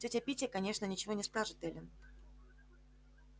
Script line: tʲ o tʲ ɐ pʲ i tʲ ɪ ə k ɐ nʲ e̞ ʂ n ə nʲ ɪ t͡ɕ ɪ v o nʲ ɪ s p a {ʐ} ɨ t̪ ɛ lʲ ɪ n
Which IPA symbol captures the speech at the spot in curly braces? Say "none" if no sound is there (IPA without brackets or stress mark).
ʐ